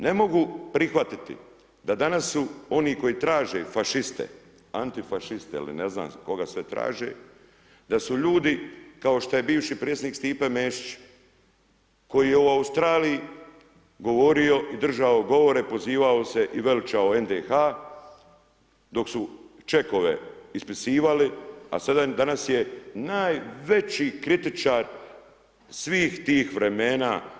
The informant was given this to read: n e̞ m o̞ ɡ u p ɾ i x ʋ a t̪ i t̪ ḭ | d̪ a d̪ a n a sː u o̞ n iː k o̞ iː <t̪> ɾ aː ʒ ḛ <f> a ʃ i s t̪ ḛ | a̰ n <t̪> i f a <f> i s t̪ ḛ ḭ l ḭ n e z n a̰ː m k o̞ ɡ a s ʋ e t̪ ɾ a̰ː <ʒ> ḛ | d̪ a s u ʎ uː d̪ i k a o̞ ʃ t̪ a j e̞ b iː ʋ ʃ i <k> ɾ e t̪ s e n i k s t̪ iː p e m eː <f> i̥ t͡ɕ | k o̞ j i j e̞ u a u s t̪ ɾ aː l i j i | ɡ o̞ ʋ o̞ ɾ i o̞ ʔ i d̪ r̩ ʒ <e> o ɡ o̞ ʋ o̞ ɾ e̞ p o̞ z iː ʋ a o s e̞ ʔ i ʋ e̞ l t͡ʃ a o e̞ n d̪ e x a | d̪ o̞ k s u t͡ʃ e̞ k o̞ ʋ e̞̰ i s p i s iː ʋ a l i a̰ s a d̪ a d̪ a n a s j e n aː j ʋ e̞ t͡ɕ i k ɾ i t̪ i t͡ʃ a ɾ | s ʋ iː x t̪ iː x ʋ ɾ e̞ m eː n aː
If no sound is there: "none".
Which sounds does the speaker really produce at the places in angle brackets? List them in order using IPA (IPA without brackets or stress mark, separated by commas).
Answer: t̪, f, t̪, ʃ, ʒ, p, ʃ, a